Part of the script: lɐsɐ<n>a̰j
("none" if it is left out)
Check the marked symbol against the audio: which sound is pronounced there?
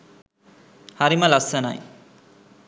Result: n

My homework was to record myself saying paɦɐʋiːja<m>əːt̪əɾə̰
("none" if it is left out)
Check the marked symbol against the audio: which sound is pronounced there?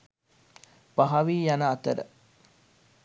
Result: n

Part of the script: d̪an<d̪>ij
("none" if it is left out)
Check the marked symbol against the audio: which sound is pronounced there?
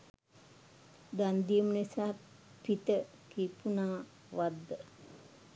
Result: d̪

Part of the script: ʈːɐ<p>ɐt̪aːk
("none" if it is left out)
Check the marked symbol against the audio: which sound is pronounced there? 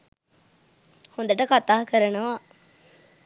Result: k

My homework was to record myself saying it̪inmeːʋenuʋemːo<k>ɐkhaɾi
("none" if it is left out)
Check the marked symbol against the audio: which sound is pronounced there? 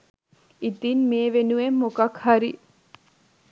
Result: k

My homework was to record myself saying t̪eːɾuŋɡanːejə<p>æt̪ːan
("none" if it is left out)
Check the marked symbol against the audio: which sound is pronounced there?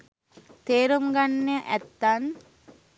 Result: ʔ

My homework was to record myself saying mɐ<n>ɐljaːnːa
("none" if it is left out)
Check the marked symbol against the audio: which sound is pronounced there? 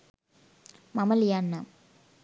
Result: m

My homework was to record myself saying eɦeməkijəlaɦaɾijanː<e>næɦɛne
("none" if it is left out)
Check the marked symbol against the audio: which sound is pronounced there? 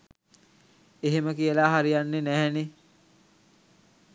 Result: e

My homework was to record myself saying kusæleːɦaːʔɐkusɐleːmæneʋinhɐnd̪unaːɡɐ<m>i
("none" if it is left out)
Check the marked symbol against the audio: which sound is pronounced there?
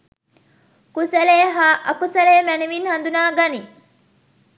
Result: n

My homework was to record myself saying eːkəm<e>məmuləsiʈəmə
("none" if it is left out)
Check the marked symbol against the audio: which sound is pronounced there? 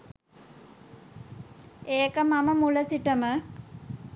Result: a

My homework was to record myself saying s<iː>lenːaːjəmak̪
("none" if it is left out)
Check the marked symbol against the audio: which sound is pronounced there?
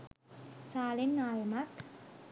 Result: aː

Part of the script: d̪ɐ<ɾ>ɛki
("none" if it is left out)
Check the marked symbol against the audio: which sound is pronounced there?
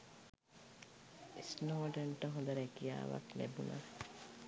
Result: ɾ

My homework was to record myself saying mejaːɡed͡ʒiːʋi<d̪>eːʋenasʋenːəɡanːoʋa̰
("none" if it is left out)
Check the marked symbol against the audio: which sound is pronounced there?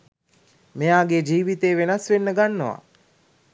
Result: t̪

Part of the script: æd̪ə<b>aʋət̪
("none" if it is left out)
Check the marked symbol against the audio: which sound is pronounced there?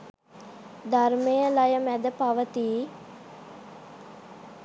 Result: p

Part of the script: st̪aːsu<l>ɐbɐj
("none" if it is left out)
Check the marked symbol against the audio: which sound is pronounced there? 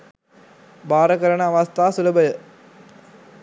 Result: l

